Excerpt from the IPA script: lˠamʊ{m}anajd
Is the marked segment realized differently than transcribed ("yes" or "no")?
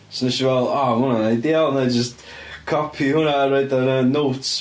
yes